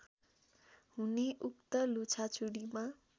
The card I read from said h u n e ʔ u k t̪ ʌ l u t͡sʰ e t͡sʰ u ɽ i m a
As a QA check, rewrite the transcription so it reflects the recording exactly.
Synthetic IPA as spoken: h u n e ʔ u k t̪ ʌ l u t͡sʰ a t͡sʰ u ɽ i m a